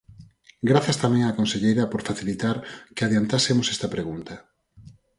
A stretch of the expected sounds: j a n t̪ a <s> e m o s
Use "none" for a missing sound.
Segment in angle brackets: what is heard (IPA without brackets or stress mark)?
s